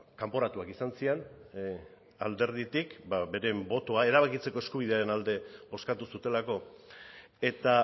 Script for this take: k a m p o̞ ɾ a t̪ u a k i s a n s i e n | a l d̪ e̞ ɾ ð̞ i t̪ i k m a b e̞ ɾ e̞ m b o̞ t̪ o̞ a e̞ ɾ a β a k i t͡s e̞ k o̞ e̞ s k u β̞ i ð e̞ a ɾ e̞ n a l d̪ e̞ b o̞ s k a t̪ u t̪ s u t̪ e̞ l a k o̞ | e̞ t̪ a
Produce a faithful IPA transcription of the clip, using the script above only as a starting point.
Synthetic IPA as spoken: k a m p o̞ ɾ a t̪ u a k i s a n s i e n | a l d̪ e̞ ɾ ð̞ i t̪ i k b a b e̞ ɾ e̞ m b o̞ t̪ o̞ a e̞ ɾ a β a k i t͡s e̞ k o̞ e̞ s k u β̞ i ð e̞ a ɾ e̞ n a l d̪ e̞ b o̞ s k a t̪ u s u t̪ e̞ l a k o̞ | e̞ t̪ a